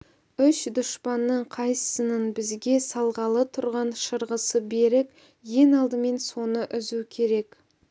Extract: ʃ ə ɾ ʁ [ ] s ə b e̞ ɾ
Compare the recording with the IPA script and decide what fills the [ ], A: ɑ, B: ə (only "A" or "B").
B